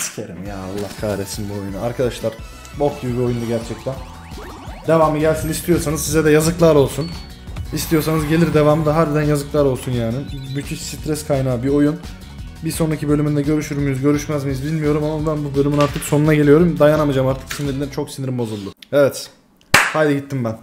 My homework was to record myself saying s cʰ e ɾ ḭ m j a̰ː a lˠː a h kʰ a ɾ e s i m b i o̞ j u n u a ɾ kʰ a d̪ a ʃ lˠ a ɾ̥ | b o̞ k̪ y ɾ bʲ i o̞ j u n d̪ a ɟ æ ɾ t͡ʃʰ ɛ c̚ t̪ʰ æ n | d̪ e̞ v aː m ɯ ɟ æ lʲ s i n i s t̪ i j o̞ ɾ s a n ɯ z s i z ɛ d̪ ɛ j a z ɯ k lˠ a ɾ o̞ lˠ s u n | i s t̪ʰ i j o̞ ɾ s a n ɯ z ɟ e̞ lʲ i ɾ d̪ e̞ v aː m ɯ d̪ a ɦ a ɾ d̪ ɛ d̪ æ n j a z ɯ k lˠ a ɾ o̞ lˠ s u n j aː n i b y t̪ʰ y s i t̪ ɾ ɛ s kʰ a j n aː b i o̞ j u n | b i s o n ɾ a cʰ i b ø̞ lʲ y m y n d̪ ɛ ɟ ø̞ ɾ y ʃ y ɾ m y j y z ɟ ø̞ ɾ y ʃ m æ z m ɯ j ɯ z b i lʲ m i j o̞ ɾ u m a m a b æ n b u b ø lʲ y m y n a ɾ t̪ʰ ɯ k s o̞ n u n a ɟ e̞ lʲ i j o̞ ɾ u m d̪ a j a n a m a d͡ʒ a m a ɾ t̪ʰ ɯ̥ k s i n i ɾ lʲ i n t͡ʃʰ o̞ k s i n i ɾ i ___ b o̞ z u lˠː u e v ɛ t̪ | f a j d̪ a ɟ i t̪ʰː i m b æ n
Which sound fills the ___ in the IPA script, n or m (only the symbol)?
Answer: m